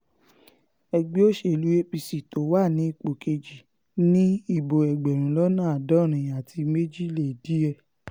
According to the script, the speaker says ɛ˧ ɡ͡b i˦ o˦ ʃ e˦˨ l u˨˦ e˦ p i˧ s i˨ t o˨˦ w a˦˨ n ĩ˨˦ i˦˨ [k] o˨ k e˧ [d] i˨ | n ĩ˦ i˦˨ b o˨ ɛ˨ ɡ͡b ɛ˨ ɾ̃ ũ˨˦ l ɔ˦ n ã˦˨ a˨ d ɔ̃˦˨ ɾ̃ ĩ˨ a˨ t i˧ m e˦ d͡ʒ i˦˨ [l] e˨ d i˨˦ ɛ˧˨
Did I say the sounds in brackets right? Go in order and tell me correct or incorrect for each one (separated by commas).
incorrect, incorrect, correct